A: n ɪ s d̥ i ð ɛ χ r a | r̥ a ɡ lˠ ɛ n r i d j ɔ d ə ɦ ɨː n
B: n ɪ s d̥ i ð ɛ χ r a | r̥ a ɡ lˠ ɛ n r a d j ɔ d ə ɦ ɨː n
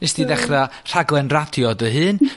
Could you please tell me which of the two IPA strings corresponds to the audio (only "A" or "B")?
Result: B